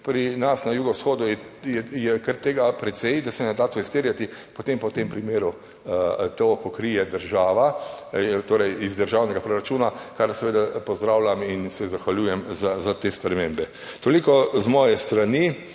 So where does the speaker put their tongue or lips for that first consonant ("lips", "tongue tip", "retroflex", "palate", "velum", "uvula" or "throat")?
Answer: lips